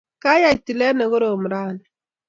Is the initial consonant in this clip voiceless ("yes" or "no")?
yes